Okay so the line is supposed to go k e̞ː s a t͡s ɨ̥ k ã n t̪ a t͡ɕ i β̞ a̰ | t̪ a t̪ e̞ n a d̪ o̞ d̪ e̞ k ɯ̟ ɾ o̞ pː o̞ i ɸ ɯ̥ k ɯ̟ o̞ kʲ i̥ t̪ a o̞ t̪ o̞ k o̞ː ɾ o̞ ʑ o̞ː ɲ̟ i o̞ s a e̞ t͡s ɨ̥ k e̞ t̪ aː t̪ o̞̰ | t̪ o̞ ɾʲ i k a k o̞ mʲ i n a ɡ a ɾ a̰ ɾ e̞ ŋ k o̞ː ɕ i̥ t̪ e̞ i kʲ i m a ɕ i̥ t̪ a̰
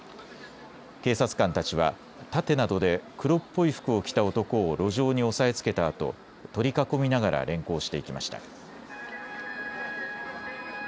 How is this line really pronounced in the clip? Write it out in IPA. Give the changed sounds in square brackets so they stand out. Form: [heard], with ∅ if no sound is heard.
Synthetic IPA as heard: k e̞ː s a t͡s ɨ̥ k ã n t̪ a t͡ɕ i β̞ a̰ | t̪ a t̪ e̞ n a d̪ o̞ d̪ e̞ k ɯ̟ ɾ o̞ pː o̞ i ɸ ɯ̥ k ɯ̟ o̞ kʲ i̥ t̪ a o̞ t̪ o̞ k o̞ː ɾ o̞ ʑ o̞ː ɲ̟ i o̞ s a e̞ t͡s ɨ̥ k e̞ t̪ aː t̪ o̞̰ | t̪ o̞ ɾʲ i k a k o̞ mʲ i n a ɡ a ɾ a̰ ɾ [ẽ̞] ŋ k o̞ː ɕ i̥ t̪ e̞ i kʲ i m a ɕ i̥ t̪ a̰